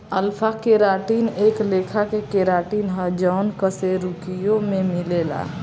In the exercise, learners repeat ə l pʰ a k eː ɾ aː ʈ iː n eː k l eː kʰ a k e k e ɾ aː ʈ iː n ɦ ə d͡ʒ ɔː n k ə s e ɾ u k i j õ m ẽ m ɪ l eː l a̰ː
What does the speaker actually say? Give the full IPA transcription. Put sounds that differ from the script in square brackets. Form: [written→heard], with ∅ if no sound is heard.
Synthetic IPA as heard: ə l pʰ a k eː ɾ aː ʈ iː n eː k l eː kʰ a k e k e ɾ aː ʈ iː n ɦ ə d͡ʒ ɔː n k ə s e ɾ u k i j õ m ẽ m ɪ l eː l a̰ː

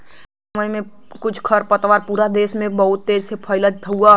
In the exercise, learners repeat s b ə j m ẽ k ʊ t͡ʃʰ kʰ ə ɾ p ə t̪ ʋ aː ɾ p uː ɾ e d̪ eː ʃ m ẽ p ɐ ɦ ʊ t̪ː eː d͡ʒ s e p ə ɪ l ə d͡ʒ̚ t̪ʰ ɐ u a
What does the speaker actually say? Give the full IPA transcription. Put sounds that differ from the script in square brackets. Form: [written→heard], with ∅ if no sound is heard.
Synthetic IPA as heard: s [b→m] ə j m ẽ k ʊ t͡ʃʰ kʰ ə ɾ p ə t̪ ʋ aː ɾ p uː ɾ [e→a] d̪ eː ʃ m ẽ [p→b] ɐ ɦ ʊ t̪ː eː d͡ʒ s e [p→pʰ] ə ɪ l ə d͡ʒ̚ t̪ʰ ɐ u a

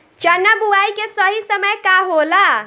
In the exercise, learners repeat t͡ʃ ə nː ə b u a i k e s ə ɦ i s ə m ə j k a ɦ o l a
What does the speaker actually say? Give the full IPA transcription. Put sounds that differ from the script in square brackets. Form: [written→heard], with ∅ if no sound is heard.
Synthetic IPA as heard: t͡ʃ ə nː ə b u a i k e s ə ɦ i s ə m ə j k a ɦ o l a

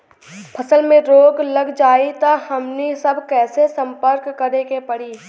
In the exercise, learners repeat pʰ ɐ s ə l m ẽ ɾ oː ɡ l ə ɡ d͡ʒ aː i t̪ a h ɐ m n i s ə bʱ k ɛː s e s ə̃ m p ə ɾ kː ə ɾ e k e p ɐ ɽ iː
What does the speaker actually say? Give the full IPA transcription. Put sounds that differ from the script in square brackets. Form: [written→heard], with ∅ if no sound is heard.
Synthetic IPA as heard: pʰ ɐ s ə l m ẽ ɾ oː ɡ l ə ɡ d͡ʒ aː i t̪ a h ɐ m n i s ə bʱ k ɛː s e s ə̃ m p ə ɾ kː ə ɾ e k e p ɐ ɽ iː

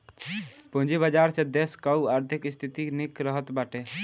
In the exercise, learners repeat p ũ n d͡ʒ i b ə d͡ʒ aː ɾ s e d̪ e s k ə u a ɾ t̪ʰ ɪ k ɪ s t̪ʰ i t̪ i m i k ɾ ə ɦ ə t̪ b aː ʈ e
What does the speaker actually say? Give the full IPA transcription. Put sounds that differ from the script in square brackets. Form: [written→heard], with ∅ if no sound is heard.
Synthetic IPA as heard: p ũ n d͡ʒ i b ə d͡ʒ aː ɾ s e d̪ e s k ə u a ɾ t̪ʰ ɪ k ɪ s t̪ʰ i t̪ i [m→n] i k ɾ ə ɦ ə t̪ b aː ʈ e

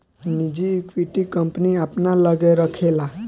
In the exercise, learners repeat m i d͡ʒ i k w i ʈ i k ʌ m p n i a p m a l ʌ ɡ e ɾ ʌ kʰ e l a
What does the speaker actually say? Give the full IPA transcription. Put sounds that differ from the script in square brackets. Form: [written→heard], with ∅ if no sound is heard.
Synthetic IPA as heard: [m→n] i d͡ʒ i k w i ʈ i k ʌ m p n i a p [m→n] a l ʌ ɡ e ɾ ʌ kʰ e l a

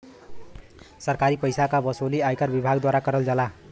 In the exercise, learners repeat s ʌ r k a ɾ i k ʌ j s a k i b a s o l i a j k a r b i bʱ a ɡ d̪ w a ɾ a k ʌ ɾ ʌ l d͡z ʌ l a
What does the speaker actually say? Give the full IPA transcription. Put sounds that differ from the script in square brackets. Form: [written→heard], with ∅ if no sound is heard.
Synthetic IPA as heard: s ʌ r k a ɾ i [k→p] ʌ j s a k [i→a] b [a→ʌ] s o l i a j k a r b i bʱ a ɡ d̪ w a ɾ a k ʌ ɾ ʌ l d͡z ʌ l a

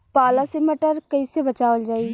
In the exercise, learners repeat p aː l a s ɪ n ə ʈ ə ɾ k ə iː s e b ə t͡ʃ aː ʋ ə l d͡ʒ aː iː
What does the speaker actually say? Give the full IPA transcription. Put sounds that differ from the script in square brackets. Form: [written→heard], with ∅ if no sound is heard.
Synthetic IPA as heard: p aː l a s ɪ [n→m] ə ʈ ə ɾ k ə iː s e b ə t͡ʃ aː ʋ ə l d͡ʒ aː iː

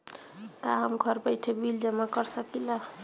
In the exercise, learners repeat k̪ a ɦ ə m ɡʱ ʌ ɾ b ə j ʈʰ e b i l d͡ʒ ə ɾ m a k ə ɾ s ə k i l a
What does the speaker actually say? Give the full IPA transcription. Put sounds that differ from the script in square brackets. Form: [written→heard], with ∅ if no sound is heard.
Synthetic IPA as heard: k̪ a ɦ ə m ɡʱ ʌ ɾ b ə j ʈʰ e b i l d͡ʒ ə [ɾ→∅] m a k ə ɾ s ə k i l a

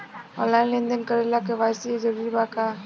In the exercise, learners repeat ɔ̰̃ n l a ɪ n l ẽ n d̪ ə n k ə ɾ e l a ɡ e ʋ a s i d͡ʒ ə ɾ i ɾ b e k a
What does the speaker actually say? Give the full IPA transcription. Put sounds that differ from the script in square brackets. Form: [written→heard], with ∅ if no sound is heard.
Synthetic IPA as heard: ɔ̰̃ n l a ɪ n l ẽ n d̪ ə n k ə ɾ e l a [ɡ→k] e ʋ a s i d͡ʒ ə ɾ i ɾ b [e→a] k a

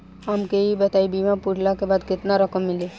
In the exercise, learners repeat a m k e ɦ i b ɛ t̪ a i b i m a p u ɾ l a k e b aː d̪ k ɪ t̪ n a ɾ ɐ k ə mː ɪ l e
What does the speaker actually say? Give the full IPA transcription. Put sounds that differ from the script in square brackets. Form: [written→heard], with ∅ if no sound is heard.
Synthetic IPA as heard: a m k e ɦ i b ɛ t̪ a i b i m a p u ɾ l a k e b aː d̪ k ɪ t̪ n a ɾ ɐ k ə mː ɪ l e

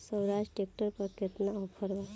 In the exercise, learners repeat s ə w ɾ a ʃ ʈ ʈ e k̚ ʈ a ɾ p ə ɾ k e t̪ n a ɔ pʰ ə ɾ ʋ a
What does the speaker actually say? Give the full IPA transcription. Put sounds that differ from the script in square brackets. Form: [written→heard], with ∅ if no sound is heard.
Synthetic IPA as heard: s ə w ɾ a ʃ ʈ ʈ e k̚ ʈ [a→ə] ɾ p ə ɾ k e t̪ n a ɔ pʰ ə ɾ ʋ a

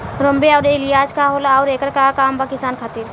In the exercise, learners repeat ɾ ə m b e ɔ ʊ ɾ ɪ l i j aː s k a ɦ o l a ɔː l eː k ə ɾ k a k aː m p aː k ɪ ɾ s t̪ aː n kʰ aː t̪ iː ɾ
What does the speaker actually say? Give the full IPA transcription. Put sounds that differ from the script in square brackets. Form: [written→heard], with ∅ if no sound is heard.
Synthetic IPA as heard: ɾ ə m b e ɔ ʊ ɾ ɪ l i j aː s k a ɦ o l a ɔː [l→ɾ] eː k ə ɾ k a k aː m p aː k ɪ [ɾ→∅] s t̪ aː n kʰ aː t̪ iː ɾ

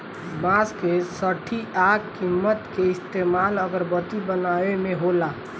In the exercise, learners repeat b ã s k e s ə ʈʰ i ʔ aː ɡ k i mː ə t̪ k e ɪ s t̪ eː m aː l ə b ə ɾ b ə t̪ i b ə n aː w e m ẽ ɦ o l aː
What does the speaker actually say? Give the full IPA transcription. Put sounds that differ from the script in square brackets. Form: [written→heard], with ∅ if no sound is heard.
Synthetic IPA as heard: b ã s k e s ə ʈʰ i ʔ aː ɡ k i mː ə t̪ k e ɪ s t̪ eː m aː l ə [b→ɡ] ə ɾ b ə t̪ i b ə n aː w e m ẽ ɦ o l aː

